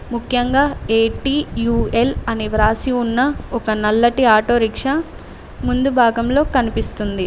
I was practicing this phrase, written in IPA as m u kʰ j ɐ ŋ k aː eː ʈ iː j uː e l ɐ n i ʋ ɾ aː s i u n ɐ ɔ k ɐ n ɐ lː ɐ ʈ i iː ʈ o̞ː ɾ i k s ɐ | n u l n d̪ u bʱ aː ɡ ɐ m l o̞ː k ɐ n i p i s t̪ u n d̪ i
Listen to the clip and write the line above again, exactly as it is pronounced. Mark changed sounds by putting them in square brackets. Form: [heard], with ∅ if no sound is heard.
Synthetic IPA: m u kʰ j ɐ ŋ [ɡ] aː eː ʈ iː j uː e l ɐ n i ʋ ɾ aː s i u [nː] ɐ ɔ k ɐ n ɐ lː ɐ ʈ i [aː] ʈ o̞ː ɾ i k [ʂ] ɐ | [m] u [∅] n d̪ u bʱ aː ɡ ɐ m l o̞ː k ɐ n i p i s t̪ u n d̪ i